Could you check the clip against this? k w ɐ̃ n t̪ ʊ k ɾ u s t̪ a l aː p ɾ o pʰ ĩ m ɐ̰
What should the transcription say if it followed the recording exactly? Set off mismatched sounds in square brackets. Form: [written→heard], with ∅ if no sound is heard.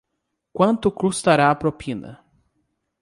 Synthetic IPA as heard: k w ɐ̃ n t̪ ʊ k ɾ u s t̪ a [l→ɾ] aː p ɾ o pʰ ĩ [m→n] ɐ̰